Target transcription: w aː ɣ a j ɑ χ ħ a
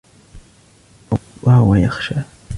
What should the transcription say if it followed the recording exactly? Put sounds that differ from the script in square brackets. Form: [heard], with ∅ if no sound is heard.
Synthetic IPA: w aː [w] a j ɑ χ [ʃ] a